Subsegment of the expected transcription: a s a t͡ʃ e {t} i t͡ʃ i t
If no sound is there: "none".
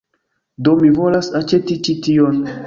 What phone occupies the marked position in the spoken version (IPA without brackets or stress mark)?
t